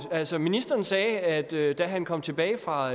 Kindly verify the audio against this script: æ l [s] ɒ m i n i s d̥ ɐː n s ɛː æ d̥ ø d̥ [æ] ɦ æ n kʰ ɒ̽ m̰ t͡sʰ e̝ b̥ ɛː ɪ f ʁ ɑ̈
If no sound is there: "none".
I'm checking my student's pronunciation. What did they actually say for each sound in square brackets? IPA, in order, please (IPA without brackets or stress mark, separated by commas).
s, æ